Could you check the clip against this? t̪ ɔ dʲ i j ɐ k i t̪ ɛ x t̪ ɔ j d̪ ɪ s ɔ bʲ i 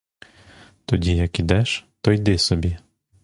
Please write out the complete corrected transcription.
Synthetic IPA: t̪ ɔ dʲ i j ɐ k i d̪ ɛ ʃ t̪ ɔ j d̪ ɪ s ɔ bʲ i